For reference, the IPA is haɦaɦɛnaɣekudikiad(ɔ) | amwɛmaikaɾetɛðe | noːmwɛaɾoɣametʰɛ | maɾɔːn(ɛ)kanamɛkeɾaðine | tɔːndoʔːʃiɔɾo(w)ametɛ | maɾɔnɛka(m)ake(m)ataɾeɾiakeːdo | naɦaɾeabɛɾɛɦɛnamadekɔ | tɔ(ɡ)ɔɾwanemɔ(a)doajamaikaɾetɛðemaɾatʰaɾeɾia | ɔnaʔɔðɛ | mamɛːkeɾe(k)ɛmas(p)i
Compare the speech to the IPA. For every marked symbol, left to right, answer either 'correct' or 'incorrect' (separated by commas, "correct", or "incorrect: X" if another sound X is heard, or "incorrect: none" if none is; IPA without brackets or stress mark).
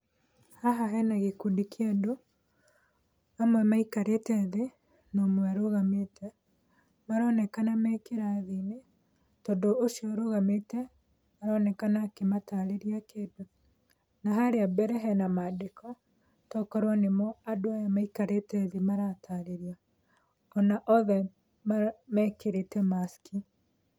incorrect: o, correct, incorrect: ɣ, incorrect: n, correct, incorrect: k, correct, incorrect: t, incorrect: k